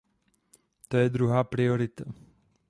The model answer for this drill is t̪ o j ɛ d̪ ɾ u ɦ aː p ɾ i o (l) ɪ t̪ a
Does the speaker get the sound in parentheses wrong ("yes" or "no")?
yes